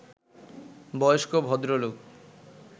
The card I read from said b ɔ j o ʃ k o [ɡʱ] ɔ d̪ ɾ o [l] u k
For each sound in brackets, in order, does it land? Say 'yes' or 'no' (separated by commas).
no, yes